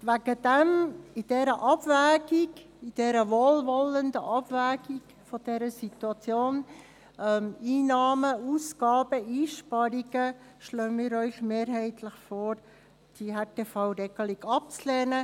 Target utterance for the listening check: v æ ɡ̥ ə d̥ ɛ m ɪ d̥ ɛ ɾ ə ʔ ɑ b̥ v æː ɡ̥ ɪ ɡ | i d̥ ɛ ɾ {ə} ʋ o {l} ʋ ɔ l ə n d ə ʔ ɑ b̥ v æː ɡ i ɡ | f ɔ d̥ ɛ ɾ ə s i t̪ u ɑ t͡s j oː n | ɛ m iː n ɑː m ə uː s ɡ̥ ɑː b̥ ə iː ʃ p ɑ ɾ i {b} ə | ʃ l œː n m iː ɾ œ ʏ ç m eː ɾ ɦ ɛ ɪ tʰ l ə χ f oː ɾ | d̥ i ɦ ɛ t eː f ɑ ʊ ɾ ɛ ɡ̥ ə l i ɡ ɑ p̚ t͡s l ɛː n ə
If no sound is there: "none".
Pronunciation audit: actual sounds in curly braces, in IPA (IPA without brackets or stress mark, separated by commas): ə, l, ɡ